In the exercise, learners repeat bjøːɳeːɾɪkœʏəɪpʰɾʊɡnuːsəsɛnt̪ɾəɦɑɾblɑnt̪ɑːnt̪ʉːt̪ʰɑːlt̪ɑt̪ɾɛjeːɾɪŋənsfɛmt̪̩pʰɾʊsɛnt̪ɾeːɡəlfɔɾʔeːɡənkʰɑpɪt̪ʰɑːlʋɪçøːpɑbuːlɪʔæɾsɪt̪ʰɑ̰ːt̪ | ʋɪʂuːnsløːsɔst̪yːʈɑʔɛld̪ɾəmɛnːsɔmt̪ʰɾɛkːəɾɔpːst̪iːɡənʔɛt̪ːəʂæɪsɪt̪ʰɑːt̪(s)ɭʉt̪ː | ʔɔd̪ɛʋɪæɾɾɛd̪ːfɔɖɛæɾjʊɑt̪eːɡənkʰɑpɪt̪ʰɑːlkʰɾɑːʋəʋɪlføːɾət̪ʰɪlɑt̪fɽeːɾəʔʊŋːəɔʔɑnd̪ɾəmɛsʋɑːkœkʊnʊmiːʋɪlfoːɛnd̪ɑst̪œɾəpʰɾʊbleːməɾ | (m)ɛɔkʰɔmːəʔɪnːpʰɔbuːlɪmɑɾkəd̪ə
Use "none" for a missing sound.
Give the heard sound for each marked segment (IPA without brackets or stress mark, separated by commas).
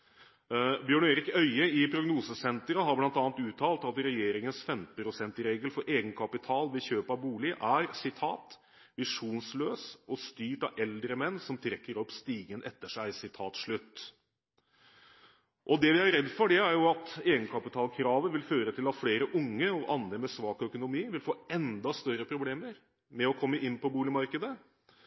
ʂ, m